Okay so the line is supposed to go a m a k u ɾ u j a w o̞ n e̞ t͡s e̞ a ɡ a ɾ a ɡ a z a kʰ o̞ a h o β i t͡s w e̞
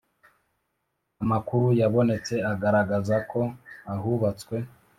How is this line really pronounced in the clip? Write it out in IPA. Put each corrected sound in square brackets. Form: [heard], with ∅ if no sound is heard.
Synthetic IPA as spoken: a m a k u ɾ u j a [β] o̞ n e̞ t͡s e̞ a ɡ a ɾ a ɡ a z a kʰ o̞ a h [u] β [a] t͡s w e̞